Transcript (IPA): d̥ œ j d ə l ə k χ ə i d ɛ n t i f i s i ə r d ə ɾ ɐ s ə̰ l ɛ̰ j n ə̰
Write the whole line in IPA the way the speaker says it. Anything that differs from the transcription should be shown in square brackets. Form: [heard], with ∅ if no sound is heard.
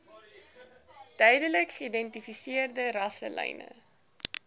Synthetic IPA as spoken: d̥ œ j d ə l ə k χ ə i d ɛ n t i f i s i ə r d ə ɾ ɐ s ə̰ l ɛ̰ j n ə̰